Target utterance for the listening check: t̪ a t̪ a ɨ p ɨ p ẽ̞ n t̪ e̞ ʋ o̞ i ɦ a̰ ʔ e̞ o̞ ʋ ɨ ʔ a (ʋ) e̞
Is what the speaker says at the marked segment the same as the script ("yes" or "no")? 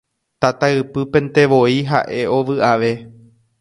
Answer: yes